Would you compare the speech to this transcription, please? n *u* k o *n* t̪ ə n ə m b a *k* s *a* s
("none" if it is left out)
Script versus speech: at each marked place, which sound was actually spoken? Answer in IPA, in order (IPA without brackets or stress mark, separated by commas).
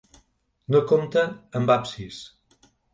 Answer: o, m, p, i